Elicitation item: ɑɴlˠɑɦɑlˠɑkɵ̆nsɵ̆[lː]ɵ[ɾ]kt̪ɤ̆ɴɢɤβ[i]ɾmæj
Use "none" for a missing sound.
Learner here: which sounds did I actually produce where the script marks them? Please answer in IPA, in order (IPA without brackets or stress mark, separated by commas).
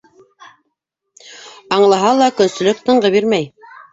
l, none, i